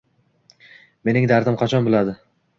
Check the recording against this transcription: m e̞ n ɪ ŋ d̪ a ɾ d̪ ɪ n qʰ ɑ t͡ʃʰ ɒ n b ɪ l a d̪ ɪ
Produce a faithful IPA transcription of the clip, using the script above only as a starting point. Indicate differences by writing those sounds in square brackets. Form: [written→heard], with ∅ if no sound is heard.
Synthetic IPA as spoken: m e̞ n ɪ ŋ d̪ a ɾ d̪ ɪ [n→m] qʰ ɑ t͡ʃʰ ɒ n b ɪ l a d̪ ɪ